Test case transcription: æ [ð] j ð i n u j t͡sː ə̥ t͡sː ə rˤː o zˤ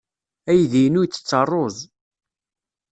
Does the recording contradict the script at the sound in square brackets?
yes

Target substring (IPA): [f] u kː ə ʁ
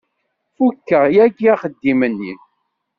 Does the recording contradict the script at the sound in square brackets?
no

